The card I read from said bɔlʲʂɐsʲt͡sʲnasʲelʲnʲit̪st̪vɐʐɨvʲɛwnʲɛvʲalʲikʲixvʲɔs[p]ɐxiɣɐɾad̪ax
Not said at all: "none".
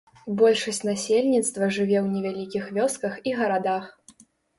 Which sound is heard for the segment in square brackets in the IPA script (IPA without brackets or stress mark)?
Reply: k